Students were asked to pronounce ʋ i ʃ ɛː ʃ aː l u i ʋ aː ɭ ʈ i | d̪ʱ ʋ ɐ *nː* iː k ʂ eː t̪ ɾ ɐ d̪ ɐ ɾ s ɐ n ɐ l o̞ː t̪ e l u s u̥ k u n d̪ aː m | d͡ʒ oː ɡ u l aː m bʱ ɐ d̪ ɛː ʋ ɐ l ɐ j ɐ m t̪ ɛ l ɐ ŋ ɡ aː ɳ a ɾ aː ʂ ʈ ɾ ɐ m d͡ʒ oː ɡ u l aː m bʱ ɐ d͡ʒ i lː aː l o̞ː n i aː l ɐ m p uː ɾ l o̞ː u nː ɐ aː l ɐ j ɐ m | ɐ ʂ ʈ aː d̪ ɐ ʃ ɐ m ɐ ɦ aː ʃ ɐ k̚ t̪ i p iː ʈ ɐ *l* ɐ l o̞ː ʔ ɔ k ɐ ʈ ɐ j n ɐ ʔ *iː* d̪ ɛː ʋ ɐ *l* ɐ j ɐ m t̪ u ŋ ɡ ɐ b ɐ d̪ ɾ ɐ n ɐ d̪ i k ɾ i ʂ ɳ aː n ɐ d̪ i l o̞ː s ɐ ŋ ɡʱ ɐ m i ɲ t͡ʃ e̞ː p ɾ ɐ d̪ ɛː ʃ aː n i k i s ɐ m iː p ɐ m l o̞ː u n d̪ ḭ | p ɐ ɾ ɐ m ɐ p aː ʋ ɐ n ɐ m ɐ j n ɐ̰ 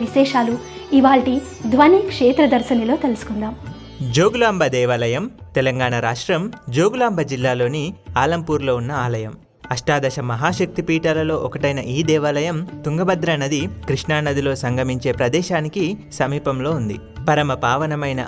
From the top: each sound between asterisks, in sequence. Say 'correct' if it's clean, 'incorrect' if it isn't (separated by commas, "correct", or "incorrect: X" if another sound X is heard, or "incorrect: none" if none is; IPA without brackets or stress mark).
incorrect: n, correct, correct, correct